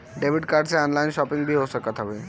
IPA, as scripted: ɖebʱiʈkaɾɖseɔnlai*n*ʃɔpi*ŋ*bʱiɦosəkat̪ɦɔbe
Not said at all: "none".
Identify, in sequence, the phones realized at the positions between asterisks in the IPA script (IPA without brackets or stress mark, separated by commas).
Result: n, ŋ